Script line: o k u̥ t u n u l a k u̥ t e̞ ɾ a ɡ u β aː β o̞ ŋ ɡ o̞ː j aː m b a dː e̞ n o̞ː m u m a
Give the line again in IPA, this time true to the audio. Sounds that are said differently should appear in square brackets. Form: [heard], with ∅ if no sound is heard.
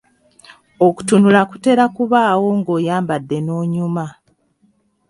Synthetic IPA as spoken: o k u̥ t u n u l a k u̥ t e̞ ɾ a [k] u β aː [w] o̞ ŋ ɡ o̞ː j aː m b a dː e̞ n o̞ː [ɲ] u m a